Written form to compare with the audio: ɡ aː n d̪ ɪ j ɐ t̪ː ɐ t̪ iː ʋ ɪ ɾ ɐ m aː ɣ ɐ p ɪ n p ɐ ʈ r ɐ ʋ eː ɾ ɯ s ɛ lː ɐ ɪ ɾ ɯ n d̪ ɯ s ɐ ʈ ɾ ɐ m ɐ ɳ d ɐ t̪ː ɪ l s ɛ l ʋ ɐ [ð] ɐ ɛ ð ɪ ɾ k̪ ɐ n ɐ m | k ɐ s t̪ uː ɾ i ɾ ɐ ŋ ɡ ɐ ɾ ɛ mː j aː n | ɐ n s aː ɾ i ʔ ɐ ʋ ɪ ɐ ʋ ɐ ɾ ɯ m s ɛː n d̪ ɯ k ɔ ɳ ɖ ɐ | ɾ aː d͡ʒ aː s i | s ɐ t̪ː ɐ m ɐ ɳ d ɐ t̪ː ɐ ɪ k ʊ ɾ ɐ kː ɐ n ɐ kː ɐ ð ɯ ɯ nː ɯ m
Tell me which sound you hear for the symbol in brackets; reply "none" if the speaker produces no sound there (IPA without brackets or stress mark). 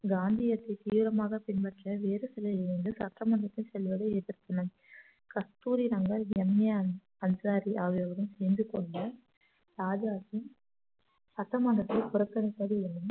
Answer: ð